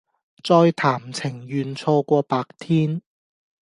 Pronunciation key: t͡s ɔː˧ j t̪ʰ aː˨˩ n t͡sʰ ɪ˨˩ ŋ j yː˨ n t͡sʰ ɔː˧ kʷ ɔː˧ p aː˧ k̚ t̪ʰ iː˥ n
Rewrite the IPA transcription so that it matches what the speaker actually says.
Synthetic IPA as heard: t͡s ɔː˧ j t̪ʰ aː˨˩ m t͡sʰ ɪ˨˩ ŋ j yː˨ n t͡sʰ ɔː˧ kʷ ɔː˧ p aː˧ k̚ t̪ʰ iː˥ n

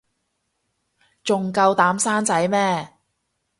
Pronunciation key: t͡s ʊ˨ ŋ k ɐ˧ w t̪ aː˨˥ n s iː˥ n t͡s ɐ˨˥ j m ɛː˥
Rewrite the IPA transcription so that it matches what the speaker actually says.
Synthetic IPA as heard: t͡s ʊ˨ ŋ k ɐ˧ w t̪ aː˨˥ m s aː˥ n t͡s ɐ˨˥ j m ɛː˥

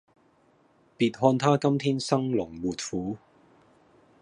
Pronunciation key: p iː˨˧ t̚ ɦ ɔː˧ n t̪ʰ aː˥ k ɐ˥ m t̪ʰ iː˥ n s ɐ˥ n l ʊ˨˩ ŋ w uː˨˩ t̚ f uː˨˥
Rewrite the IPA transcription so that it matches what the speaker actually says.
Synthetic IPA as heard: p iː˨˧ t̚ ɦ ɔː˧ n t̪ʰ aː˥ k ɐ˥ m t̪ʰ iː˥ n s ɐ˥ ŋ l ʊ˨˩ ŋ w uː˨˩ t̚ f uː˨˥

